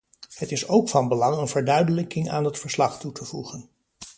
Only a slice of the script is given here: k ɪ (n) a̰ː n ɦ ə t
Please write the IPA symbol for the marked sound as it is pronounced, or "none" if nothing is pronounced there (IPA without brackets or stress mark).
ŋ